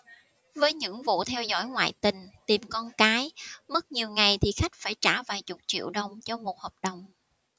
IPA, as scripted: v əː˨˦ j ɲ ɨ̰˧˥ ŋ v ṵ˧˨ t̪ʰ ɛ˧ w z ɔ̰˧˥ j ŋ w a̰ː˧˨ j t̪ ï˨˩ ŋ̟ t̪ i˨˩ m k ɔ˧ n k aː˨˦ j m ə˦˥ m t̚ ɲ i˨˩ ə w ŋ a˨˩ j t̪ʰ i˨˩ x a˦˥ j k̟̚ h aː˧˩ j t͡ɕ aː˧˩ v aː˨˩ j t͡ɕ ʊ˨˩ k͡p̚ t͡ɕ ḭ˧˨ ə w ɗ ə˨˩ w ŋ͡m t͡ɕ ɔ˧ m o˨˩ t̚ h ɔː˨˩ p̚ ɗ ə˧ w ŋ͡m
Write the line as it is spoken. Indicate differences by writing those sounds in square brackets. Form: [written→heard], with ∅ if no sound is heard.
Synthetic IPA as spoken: v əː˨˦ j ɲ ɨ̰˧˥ ŋ v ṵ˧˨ t̪ʰ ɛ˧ w z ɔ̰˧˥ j ŋ w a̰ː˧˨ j t̪ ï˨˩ ŋ̟ t̪ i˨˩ m k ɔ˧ n k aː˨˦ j m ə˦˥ [m→∅] t̚ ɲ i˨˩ ə w ŋ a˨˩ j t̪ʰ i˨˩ x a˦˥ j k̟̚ [h→f] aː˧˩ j t͡ɕ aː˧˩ v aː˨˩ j t͡ɕ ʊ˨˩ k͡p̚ t͡ɕ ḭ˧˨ ə w ɗ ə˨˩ w ŋ͡m t͡ɕ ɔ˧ m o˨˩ t̚ h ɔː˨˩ p̚ ɗ [ə˧→ə˨˩] w ŋ͡m